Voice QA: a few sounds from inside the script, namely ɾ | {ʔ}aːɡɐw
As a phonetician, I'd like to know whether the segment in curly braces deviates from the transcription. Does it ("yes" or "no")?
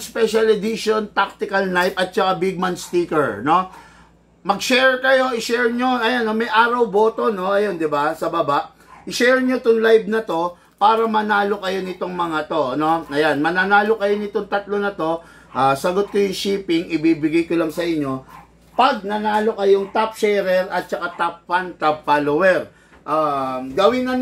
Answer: no